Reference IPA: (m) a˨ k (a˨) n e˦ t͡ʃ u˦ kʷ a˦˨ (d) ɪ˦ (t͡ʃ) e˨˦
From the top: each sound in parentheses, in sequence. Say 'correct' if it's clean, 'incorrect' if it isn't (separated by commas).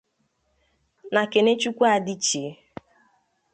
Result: incorrect, incorrect, correct, correct